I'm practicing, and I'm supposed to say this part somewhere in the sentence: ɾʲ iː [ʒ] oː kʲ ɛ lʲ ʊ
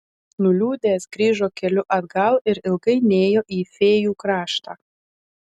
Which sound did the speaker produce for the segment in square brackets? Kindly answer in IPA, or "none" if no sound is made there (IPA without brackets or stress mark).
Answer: ʒ